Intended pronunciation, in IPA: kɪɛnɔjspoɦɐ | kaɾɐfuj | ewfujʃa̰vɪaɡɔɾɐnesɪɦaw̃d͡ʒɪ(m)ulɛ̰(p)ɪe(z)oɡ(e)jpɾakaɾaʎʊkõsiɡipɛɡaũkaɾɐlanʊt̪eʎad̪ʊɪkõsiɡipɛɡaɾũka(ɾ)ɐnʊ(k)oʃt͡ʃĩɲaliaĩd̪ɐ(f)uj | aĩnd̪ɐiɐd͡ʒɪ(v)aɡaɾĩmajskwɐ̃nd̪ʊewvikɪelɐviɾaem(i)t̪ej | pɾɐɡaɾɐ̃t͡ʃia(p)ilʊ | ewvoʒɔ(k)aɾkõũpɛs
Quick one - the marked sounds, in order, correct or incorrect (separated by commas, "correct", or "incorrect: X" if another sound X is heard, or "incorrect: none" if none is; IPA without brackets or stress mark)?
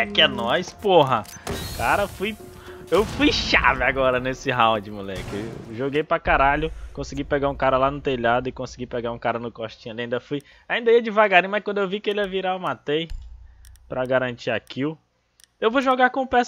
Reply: correct, incorrect: k, incorrect: ʒ, correct, correct, correct, correct, correct, incorrect: a, incorrect: k, incorrect: ɡ